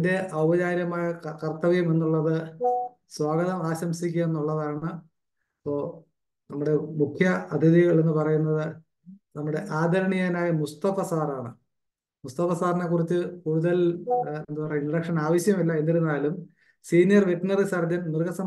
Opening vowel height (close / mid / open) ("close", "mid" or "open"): mid